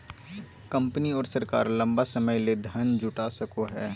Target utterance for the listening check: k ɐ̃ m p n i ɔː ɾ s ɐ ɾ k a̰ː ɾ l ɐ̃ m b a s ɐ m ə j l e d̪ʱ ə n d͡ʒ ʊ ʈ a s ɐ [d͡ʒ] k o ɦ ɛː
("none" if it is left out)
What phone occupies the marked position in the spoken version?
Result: none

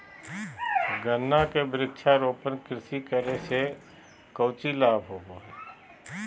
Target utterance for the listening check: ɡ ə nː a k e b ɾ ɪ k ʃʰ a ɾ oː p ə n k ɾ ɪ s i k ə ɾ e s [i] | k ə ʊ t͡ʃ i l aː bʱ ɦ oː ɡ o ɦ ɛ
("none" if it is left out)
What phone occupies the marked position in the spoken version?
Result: e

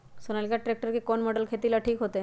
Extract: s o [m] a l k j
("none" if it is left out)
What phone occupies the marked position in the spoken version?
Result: n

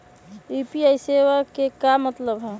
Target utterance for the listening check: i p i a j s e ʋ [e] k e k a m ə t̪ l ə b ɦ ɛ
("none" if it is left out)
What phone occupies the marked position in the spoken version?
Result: a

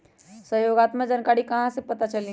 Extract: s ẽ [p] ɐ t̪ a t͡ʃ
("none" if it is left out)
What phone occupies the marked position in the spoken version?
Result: p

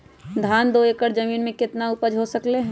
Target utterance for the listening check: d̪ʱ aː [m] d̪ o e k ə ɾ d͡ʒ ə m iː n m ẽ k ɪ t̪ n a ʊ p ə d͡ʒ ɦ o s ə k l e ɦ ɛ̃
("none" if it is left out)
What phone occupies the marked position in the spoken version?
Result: n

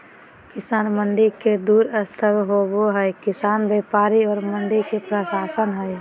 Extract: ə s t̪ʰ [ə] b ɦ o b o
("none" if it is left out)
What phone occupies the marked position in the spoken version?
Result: ə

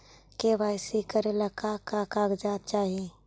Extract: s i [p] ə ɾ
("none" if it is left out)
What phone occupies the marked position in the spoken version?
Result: k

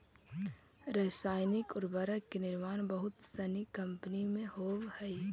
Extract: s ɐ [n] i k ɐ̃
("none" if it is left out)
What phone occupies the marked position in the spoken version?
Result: n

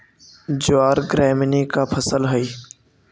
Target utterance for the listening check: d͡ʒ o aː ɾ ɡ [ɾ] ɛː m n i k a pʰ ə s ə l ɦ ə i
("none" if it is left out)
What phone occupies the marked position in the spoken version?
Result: ɾ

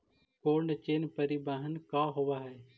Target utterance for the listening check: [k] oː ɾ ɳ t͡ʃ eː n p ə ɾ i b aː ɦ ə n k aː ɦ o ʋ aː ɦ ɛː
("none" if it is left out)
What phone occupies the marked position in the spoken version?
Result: k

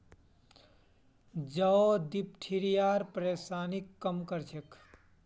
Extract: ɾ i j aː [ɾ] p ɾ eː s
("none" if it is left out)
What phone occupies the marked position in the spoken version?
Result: ɾ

